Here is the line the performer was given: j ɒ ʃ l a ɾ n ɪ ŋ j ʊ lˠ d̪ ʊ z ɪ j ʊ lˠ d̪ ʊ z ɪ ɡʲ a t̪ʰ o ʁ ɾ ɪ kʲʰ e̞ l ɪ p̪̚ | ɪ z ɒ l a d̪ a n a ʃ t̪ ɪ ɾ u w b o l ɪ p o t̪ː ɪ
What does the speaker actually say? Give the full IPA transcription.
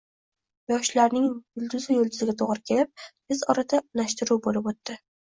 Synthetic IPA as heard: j ɒ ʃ l a ɾ n ɪ ŋ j ʊ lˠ d̪ ʊ z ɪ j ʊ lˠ d̪ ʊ z ɪ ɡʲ a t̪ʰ o ʁ ɾ ɪ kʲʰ e̞ l ɪ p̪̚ | ɪ z ɒ ɾ a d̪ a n a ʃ t̪ ɪ ɾ u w b o l ɪ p o t̪ː ɪ